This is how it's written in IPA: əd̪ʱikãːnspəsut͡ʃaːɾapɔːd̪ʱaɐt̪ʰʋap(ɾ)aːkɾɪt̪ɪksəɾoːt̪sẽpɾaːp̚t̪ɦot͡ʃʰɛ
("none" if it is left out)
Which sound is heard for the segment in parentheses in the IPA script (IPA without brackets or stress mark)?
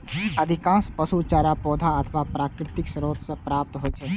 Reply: ɾ